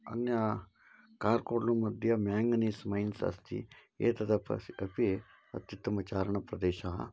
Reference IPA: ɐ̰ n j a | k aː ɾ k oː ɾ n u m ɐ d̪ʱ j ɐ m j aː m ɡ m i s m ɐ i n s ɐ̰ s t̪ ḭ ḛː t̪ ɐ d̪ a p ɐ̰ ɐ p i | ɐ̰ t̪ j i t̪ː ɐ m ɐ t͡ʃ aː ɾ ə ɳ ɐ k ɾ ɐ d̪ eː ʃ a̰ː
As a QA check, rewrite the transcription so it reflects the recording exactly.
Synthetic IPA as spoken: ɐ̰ n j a | k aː ɾ k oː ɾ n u m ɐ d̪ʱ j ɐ m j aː ŋ ɡ n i s m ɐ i n s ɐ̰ s t̪ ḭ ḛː t̪ ɐ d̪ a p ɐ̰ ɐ p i | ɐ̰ t̪ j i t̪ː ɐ m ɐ t͡ʃ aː ɾ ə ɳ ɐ p ɾ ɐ d̪ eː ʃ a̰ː